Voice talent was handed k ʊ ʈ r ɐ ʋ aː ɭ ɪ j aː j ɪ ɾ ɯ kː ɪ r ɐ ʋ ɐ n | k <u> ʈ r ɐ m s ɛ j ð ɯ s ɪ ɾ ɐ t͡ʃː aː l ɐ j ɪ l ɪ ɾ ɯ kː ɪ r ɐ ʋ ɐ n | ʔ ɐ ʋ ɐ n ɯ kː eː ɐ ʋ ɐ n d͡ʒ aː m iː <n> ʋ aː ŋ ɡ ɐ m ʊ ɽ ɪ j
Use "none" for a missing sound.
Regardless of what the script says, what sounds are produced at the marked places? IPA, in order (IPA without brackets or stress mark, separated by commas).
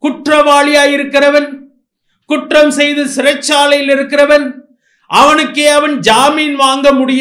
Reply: ʊ, n